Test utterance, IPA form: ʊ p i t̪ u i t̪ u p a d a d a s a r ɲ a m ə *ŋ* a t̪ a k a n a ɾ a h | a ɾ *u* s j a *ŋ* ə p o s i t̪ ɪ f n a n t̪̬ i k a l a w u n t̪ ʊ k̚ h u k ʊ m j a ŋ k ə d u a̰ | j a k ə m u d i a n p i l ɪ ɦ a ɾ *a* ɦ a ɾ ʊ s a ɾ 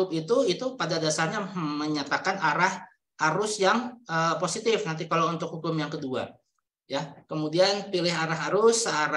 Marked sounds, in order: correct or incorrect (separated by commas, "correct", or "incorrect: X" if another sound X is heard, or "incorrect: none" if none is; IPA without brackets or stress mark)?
incorrect: ɲ, incorrect: ʊ, correct, correct